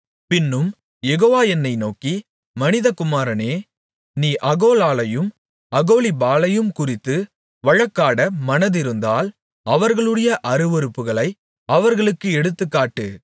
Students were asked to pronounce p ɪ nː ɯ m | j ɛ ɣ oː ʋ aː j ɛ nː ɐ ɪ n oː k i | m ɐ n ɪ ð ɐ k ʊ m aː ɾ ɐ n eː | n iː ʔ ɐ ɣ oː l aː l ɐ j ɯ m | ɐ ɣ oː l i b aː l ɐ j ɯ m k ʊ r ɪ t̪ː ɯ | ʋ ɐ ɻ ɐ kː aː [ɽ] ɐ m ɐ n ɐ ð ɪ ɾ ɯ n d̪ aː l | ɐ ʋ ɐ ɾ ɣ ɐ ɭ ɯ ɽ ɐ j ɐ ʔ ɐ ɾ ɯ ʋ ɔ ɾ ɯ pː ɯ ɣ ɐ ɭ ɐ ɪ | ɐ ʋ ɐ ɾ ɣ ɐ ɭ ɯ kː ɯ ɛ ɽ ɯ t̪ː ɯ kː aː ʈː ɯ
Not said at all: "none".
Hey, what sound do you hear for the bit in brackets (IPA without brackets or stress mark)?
ɽ